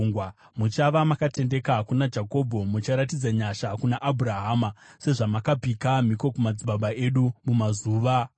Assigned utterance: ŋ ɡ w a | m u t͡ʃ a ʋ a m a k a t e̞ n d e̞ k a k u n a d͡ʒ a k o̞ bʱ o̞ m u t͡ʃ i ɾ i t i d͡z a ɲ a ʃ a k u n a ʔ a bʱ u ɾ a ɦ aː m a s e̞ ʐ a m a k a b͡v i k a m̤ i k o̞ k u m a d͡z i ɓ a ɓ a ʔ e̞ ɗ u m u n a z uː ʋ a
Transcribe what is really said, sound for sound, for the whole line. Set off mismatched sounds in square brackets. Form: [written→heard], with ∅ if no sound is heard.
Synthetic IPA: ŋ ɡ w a | m u t͡ʃ a ʋ a m a k a t e̞ n d e̞ k a k u n a d͡ʒ a k o̞ bʱ o̞ m u t͡ʃ [i→a] ɾ [i→a] t i d͡z a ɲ a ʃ a k u n a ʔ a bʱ u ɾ a ɦ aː m a s e̞ ʐ a m a k a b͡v i k a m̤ i k o̞ k u m a d͡z i ɓ a ɓ a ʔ e̞ ɗ u m u [n→m] a z uː ʋ a

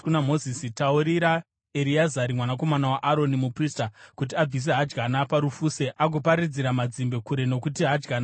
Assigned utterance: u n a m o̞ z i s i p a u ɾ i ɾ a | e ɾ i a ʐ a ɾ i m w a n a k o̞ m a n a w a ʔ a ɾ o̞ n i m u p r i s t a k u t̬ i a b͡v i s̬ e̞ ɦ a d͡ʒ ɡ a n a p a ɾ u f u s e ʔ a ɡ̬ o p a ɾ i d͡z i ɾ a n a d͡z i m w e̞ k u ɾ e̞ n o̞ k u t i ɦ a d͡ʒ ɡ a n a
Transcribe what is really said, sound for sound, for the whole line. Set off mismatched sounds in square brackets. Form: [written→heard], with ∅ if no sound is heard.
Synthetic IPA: u n a m o̞ z i s i [p→t] a u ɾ i ɾ a | e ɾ i a [ʐ→z] a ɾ i m w a n a k o̞ m a n a w a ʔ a ɾ o̞ n i m u p r i s t a k u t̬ i a b͡v i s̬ e̞ ɦ a d͡ʒ ɡ a n a p a ɾ u f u s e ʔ a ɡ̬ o p a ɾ i d͡z i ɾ a [n→m] a d͡z i m [w→b] e̞ k u ɾ e̞ n o̞ k u t i ɦ a d͡ʒ ɡ a n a

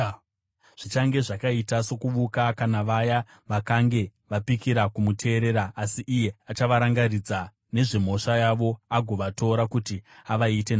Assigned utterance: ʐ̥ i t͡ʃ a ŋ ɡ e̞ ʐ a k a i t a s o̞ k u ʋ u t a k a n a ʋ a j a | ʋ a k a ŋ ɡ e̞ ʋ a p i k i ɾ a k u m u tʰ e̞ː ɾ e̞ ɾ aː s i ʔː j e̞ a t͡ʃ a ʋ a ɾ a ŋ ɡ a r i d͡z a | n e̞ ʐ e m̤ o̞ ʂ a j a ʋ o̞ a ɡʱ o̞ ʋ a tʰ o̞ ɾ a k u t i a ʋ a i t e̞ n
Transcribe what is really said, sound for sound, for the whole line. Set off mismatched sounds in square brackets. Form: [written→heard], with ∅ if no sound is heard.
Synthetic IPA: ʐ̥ i t͡ʃ a ŋ ɡ e̞ ʐ a k a i t a s o̞ k u ʋ u [t→k] a k a n a ʋ a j a | ʋ a k a ŋ ɡ e̞ ʋ a p i k i ɾ a k u m u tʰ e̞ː ɾ e̞ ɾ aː s i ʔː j e̞ a t͡ʃ a ʋ a ɾ a ŋ ɡ a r i d͡z a | n e̞ ʐ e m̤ o̞ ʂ a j a ʋ o̞ a ɡʱ o̞ ʋ a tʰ o̞ ɾ a k u t i a ʋ a i t e̞ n

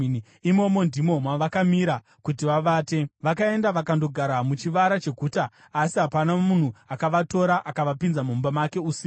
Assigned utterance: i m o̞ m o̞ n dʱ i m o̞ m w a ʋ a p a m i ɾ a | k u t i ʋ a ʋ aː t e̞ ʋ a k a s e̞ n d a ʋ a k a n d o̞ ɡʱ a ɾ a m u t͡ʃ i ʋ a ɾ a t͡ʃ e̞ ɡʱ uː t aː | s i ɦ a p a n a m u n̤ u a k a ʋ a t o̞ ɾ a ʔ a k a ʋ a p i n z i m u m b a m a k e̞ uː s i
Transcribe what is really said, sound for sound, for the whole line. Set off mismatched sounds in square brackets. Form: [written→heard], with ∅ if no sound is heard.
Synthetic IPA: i m o̞ m o̞ n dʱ i m o̞ m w a ʋ a [p→k] a m i ɾ a | k u t i ʋ a ʋ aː t e̞ ʋ a k a [s→∅] e̞ n d a ʋ a k a n d o̞ ɡʱ a ɾ a m u t͡ʃ i ʋ a ɾ a t͡ʃ e̞ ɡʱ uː t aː | s i ɦ a p a n a m u n̤ u a k a ʋ a t o̞ ɾ a ʔ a k a ʋ a p i n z [i→a] m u m b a m a k e̞ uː s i

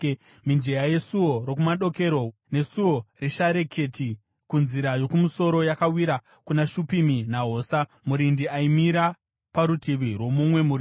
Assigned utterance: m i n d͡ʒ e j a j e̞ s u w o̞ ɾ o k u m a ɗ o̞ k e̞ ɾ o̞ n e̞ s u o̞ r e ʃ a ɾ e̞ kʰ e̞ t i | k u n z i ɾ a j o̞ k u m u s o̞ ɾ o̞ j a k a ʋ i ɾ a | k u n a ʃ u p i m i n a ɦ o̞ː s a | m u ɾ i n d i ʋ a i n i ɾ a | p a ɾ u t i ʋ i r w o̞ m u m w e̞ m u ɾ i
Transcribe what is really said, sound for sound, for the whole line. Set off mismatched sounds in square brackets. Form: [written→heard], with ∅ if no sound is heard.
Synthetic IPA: m i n d͡ʒ e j a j e̞ s u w o̞ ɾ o k u m a ɗ o̞ k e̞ ɾ o̞ n e̞ s u o̞ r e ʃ a ɾ e̞ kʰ e̞ t i | k u n z i ɾ a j o̞ k u m u s o̞ ɾ o̞ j a k a [ʋ→w] i ɾ a | k u n a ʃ u p i m i n a ɦ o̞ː s a | m u ɾ i n d i [ʋ→∅] a i [n→m] i ɾ a | p a ɾ u t i ʋ i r w o̞ m u m w e̞ m u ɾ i

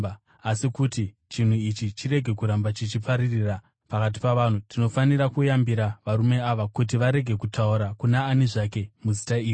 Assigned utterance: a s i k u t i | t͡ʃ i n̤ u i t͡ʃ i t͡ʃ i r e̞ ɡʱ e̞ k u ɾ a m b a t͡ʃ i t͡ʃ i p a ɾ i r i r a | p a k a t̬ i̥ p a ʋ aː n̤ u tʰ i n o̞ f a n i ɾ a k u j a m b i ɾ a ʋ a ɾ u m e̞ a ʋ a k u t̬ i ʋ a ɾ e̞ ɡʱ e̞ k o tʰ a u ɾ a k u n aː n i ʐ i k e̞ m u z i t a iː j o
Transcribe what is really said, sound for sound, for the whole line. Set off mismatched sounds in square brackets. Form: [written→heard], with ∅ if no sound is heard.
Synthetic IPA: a s i k u t i | t͡ʃ i n̤ u i t͡ʃ i t͡ʃ i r e̞ ɡʱ e̞ k u ɾ a m b a t͡ʃ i t͡ʃ i p a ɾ i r i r a | p a k a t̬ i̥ p a ʋ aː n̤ u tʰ i n o̞ f a n i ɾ a k u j a m b i ɾ a ʋ a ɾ u m e̞ a ʋ a k u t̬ i ʋ a ɾ e̞ ɡʱ e̞ k [o→u] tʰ a u ɾ a k u n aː n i ʐ [i→a] k e̞ m u z i t a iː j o

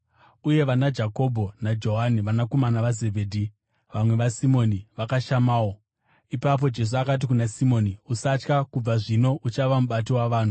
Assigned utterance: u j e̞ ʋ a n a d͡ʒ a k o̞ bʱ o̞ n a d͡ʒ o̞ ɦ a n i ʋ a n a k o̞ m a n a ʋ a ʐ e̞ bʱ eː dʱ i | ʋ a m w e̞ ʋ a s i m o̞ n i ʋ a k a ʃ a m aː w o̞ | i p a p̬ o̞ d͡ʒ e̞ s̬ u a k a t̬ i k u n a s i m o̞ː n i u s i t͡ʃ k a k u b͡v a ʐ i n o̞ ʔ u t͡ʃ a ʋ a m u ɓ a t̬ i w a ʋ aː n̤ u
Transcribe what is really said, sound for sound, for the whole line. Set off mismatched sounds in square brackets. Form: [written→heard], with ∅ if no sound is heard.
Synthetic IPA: u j e̞ ʋ a n a d͡ʒ a k o̞ bʱ o̞ n a d͡ʒ o̞ ɦ a n i ʋ a n a k o̞ m a n a ʋ a [ʐ→z] e̞ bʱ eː dʱ i | ʋ a m w e̞ ʋ a s i m o̞ n i ʋ a k a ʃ a m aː w o̞ | i p a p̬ o̞ d͡ʒ e̞ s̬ u a k a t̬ i k u n a s i m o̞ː n i u s [i→a] t͡ʃ k a k u b͡v a ʐ i n o̞ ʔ u t͡ʃ a ʋ a m u ɓ a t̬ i w a ʋ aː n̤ u

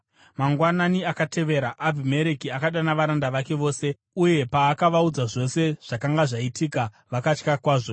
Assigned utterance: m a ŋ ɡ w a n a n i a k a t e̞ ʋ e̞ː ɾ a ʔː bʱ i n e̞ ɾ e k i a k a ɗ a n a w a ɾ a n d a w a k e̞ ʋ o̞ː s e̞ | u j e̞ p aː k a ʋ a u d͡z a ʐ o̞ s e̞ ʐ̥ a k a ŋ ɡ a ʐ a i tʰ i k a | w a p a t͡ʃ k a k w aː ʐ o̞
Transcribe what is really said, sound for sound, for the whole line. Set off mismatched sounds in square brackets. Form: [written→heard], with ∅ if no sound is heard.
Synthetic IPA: m a ŋ ɡ w a n a n i a k a t e̞ ʋ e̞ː ɾ a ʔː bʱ i [n→m] e̞ ɾ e k i a k a ɗ a n a [w→ʋ] a ɾ a n d a [w→ʋ] a k e̞ ʋ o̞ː s e̞ | u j e̞ p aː k a ʋ a u d͡z a ʐ o̞ s e̞ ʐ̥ a k a ŋ ɡ a ʐ a i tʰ i k a | [w→ʋ] a [p→k] a t͡ʃ k a k w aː ʐ o̞

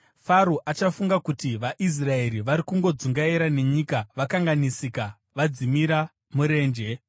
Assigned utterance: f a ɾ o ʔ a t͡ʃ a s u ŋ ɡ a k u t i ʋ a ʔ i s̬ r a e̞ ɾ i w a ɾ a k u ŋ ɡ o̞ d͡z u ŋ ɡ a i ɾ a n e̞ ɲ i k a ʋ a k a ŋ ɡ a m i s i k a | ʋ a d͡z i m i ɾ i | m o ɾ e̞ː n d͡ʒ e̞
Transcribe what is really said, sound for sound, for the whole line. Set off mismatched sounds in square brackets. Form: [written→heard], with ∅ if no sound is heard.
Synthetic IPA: f a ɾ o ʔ a t͡ʃ a [s→f] u ŋ ɡ a k u t i ʋ a ʔ i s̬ r a e̞ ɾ i [w→ʋ] a ɾ [a→i] k u ŋ ɡ o̞ d͡z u ŋ ɡ a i ɾ a n e̞ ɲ i k a ʋ a k a ŋ ɡ a [m→n] i s i k a | ʋ a d͡z i m i ɾ [i→a] | m [o→u] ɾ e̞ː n d͡ʒ e̞

